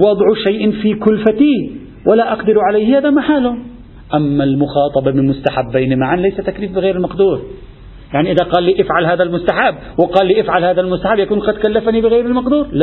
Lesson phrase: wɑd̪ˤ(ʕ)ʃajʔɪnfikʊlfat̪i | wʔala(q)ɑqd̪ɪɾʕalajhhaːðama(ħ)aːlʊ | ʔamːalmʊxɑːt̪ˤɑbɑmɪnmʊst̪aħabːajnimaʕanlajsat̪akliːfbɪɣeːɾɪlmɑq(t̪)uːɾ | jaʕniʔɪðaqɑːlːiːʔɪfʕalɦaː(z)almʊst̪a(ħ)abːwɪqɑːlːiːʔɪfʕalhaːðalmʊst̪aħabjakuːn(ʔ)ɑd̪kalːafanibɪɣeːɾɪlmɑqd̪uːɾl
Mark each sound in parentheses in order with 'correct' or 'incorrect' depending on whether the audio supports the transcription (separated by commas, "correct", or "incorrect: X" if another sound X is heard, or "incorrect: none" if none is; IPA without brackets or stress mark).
correct, incorrect: ʔ, correct, incorrect: d̪, incorrect: ð, correct, incorrect: q